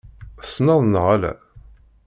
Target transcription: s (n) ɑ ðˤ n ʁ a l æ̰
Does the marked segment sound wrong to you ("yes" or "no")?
no